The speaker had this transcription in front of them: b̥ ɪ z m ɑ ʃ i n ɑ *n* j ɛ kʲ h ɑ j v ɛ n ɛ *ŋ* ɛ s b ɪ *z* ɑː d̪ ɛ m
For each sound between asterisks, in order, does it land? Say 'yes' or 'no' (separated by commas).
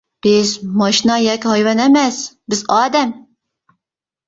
no, no, yes